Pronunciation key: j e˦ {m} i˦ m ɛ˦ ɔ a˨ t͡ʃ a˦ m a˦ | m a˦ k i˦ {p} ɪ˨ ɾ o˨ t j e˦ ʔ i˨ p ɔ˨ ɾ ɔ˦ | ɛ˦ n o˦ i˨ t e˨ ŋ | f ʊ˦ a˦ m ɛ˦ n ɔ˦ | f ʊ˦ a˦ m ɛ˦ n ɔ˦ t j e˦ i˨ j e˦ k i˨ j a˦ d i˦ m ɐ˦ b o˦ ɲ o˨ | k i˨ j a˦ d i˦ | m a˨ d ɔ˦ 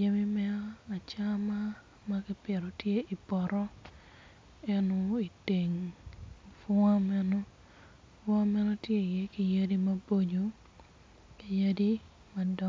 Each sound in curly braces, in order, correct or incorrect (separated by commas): correct, correct